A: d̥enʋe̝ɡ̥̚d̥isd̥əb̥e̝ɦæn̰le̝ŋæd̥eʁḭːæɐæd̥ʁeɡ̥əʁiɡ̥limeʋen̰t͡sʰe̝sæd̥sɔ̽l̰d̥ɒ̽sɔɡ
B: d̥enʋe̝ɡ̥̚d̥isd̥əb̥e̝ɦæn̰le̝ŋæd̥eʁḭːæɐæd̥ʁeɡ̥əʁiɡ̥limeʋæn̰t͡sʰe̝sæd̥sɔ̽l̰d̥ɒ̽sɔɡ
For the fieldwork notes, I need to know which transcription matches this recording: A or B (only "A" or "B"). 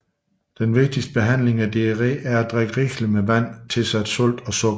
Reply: B